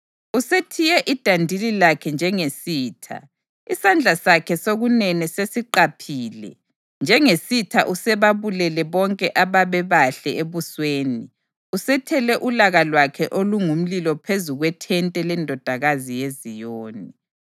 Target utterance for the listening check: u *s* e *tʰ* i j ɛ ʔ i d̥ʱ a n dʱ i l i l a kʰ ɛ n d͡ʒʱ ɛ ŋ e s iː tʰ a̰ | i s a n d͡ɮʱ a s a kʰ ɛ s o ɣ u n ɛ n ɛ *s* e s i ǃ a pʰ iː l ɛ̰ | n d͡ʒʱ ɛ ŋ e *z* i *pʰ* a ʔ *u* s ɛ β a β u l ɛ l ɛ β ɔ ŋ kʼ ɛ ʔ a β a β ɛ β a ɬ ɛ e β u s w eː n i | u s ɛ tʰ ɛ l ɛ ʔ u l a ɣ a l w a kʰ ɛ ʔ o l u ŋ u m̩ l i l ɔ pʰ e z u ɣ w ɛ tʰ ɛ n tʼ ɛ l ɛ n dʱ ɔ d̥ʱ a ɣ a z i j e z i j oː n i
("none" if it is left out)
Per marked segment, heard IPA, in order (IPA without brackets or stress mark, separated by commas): s, tʰ, s, s, tʰ, u